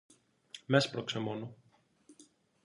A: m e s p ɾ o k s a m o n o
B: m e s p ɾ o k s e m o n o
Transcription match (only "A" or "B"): B